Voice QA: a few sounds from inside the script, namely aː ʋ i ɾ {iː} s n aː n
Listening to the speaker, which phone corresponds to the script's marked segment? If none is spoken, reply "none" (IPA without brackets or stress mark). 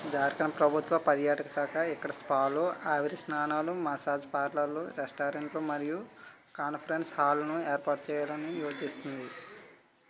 i